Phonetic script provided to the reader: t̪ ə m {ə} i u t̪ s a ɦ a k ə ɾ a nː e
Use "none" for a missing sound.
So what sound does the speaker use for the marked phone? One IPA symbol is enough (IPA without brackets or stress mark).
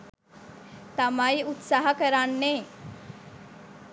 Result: a